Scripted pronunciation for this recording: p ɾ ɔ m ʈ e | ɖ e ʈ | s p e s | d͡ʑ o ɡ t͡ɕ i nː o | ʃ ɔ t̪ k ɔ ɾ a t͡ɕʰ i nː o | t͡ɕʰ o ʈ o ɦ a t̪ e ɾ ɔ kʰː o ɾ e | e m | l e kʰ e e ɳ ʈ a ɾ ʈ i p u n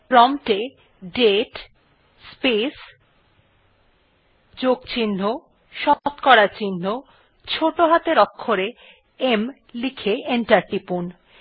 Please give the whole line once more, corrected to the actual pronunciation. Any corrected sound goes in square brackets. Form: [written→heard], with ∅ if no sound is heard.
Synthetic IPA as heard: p ɾ ɔ m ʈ e | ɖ e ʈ | s p e s | d͡ʑ o ɡ t͡ɕ i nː o | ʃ ɔ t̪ k ɔ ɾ a [t͡ɕʰ→t͡ɕ] i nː o | t͡ɕʰ o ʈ o ɦ a t̪ e ɾ ɔ kʰː o ɾ e | e m | l [e→i] kʰ e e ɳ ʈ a ɾ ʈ i p u n